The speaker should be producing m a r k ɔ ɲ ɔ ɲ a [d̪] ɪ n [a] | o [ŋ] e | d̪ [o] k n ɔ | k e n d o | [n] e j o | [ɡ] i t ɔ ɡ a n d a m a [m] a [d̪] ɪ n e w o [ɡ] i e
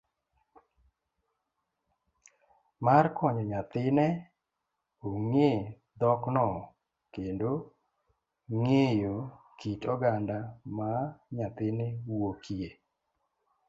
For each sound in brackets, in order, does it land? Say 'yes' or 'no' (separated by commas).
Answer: no, no, yes, no, no, no, no, no, no